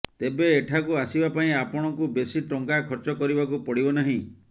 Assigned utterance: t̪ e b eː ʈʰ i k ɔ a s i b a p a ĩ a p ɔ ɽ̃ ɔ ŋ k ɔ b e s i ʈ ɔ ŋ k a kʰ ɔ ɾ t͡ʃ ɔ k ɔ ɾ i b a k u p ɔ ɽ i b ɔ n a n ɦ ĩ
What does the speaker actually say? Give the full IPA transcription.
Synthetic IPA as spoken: t̪ e b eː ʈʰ a k u a s i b a p a ĩ a p ɔ ɽ̃ ɔ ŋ k u b e s i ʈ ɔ ŋ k a kʰ ɔ ɾ t͡ʃ ɔ k ɔ ɾ i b a k u p ɔ ɽ i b ɔ n a ɦ ĩ